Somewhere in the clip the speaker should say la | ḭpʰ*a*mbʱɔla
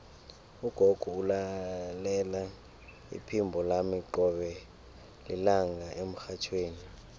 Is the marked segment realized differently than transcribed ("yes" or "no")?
yes